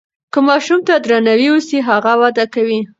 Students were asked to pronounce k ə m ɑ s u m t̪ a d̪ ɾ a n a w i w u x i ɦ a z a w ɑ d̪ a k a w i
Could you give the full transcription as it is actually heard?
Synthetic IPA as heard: k ə m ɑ ʃ u m t̪ a d̪ ɾ a n a w i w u s i ɦ a ɣ a w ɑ d̪ a k a w i